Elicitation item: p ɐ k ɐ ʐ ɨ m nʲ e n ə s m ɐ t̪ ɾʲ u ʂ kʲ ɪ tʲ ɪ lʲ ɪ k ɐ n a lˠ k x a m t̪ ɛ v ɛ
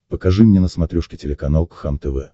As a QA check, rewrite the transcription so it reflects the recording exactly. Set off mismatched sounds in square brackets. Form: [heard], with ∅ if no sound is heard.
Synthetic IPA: p [ə] k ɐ ʐ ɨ m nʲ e n ə s m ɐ t̪ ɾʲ u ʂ kʲ ɪ tʲ ɪ lʲ ɪ k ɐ n a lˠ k x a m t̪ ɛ v ɛ